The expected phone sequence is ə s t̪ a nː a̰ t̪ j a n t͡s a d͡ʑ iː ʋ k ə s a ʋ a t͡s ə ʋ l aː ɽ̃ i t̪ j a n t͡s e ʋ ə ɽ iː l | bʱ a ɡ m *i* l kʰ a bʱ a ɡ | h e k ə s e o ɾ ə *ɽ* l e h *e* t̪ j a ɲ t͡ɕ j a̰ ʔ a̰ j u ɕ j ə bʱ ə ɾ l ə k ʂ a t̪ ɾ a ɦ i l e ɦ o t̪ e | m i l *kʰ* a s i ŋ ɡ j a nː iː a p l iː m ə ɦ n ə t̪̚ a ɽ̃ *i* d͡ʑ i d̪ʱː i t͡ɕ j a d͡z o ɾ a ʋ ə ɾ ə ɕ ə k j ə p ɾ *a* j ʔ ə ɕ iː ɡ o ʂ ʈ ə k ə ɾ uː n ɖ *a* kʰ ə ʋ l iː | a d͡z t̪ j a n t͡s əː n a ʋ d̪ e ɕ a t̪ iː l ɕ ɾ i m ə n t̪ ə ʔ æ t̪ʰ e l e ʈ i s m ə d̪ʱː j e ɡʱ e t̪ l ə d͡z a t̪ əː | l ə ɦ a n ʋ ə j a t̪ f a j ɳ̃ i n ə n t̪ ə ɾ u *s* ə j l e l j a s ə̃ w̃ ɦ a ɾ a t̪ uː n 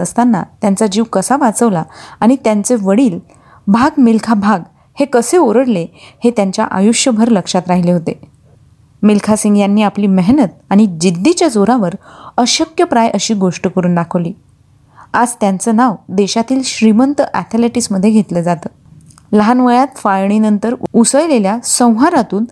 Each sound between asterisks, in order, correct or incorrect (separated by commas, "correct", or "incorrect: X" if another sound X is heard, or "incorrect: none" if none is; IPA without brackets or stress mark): correct, correct, correct, correct, correct, correct, correct, correct